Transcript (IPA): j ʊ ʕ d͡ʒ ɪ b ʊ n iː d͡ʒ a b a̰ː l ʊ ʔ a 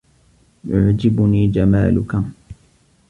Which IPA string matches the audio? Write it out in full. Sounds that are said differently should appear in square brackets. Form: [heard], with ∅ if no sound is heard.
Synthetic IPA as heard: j ʊ ʕ d͡ʒ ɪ b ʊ n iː d͡ʒ a [m] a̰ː l ʊ [k] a